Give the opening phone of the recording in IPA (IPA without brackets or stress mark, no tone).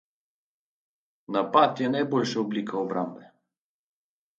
n